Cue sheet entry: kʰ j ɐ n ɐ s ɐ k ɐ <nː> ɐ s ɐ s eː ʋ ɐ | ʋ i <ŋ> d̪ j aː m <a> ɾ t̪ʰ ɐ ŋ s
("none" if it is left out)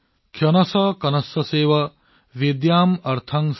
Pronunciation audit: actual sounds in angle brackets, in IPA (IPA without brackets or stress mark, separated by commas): n, none, ɐ